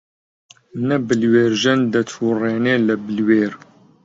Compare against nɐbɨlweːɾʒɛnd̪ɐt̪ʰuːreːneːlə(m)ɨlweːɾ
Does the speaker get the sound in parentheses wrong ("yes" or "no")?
yes